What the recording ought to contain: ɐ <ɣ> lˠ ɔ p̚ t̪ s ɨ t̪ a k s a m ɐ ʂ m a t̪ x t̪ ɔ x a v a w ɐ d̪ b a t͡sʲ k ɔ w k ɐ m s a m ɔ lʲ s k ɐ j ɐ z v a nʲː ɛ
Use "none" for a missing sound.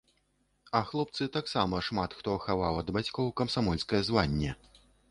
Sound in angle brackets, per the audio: x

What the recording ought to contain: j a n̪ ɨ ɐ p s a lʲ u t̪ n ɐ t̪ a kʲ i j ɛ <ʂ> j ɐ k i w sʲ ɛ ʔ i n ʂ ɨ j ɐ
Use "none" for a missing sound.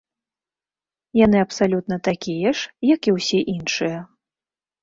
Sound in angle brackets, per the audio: ʂ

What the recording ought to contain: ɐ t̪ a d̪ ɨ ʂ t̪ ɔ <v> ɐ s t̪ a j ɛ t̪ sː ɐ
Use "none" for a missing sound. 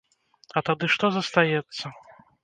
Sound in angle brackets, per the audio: z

